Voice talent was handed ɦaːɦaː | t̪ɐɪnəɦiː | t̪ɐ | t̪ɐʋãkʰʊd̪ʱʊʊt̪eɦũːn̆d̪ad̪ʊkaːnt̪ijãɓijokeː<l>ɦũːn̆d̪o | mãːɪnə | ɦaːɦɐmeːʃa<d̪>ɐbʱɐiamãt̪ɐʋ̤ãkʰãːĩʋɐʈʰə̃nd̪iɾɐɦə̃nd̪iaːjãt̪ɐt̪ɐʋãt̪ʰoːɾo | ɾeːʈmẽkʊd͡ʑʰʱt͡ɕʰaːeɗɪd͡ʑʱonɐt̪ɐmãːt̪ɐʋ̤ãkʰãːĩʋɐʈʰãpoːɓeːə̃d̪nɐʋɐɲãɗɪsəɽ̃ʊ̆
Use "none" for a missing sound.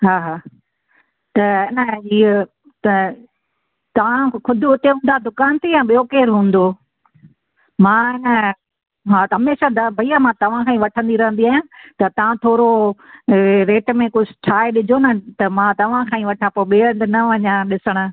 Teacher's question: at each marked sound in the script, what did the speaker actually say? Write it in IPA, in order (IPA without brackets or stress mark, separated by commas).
ɾ, d̪